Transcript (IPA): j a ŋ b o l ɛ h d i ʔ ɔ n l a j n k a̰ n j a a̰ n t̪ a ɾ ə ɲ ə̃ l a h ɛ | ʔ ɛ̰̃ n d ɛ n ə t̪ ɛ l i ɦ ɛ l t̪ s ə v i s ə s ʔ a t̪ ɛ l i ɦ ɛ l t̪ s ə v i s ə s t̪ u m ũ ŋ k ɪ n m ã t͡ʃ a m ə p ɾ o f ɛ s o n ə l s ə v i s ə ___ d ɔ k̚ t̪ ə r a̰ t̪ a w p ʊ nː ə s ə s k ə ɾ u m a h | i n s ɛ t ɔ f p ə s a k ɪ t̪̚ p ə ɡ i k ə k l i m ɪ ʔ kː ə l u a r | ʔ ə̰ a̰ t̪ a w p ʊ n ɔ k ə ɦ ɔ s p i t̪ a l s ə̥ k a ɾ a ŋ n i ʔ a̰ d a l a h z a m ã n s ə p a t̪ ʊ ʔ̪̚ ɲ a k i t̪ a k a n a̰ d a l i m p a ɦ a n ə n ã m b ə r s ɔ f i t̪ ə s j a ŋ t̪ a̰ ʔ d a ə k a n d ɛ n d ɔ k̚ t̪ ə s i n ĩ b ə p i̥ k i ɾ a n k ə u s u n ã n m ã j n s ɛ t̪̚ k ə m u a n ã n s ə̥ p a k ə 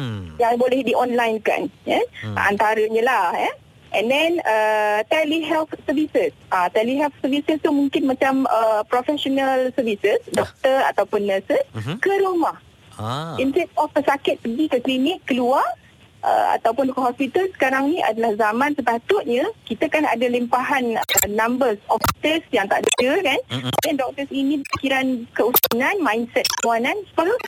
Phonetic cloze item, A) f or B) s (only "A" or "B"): B